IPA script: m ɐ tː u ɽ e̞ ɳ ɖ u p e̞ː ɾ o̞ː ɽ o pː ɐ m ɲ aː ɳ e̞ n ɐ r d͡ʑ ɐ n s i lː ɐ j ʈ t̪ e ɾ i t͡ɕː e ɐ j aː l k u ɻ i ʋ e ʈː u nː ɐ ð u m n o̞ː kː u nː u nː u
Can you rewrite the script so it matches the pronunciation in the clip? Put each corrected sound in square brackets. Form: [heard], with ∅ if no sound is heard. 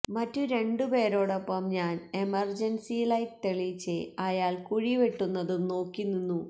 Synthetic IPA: m ɐ tː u [ɾ] e̞ ɳ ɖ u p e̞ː ɾ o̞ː ɽ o pː ɐ m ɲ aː [n] e̞ [m] ɐ r d͡ʑ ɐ n s i [l] ɐ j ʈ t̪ e [ɭ] i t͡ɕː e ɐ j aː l k u ɻ i ʋ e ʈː u nː ɐ ð u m n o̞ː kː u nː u nː u